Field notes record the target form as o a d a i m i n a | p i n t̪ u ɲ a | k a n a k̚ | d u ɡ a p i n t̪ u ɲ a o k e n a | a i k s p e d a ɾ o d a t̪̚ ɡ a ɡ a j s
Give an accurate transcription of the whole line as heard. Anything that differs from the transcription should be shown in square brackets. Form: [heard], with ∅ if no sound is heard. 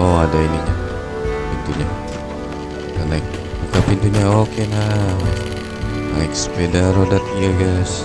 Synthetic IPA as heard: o a d a i [n] i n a | p i n t̪ u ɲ a | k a n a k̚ | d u [k] a p i n t̪ u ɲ a o k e n a | a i k s p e d a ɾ o d a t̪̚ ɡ a ɡ a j s